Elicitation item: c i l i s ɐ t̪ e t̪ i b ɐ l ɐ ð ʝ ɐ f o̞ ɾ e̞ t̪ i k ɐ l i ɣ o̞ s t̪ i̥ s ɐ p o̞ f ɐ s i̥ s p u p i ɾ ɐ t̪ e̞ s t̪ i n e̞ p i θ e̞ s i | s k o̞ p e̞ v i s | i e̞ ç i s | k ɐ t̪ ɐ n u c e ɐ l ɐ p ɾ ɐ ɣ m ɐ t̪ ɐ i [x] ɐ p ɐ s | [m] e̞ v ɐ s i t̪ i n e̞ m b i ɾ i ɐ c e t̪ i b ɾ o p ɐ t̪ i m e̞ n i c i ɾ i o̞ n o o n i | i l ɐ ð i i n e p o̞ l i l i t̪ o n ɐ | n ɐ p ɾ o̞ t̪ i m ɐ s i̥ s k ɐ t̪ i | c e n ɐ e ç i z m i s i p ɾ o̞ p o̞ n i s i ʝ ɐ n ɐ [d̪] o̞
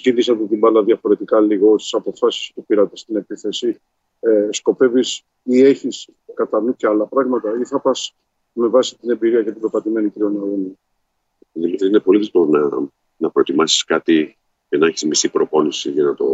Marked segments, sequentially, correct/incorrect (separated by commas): incorrect, correct, incorrect